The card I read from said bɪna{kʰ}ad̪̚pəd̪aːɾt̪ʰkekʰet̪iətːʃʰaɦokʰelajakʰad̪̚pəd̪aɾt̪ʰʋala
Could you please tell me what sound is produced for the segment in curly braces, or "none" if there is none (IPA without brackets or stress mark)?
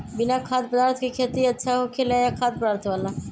kʰ